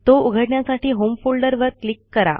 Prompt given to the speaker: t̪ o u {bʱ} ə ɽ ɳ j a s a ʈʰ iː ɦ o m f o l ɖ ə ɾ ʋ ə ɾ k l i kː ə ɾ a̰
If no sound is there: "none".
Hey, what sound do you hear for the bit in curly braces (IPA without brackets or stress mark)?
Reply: ɡʱ